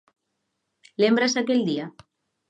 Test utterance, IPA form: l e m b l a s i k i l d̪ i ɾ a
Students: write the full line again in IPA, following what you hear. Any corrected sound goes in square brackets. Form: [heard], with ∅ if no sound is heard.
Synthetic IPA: l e m b [ɾ] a s [a] k [e] l d̪ i [∅] a